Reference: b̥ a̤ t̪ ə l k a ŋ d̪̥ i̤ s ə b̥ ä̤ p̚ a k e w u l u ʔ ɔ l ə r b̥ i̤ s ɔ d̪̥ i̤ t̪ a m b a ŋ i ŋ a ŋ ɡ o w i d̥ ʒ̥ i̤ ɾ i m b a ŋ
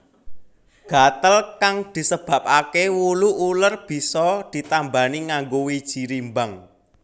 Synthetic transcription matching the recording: ɡ̥ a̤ t̪ ə l k a ŋ d̪̥ i̤ s ə b̥ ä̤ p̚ a k e w u l u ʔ u l ə r b̥ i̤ s ɔ d̪̥ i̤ t̪ a m b a n i ŋ a ŋ ɡ o w i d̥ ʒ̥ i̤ ɾ i m b a ŋ